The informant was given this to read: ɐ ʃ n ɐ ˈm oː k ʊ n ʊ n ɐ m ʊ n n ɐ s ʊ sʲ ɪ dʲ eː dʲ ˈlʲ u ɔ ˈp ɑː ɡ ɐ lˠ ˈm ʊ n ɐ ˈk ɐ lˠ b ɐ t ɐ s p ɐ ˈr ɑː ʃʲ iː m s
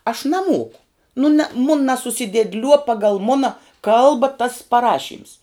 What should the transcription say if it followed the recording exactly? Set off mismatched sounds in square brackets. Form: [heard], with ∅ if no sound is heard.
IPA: ɐ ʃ n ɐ ˈm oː k ʊ n ʊ n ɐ m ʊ n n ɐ s ʊ sʲ ɪ dʲ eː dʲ ˈlʲ u ɔ ˈp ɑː ɡ ɐ lˠ ˈm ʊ n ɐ ˈk ɐ lˠ b ɐ t ɐ s p ɐ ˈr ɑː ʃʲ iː m s